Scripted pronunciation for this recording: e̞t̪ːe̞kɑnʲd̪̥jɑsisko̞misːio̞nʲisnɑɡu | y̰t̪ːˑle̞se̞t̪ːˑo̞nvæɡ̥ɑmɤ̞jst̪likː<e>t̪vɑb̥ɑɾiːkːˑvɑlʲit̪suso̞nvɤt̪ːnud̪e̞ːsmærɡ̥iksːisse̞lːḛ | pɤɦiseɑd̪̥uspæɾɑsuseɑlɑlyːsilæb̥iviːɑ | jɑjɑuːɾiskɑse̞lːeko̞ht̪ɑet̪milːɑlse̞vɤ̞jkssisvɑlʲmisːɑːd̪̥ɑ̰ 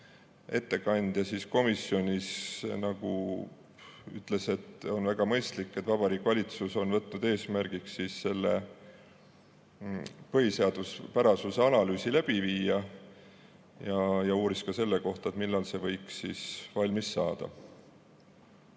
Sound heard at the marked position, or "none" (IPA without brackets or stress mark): e